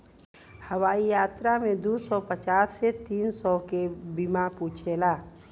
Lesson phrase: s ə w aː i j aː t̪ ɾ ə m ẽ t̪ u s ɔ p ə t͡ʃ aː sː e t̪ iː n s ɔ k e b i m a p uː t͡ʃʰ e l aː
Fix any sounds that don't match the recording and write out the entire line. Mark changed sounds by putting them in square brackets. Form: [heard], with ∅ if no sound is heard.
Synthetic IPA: [h] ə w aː i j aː t̪ ɾ [a] m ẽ [d̪] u s ɔ p ə t͡ʃ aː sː e t̪ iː n s ɔ k e b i m a p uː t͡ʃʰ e l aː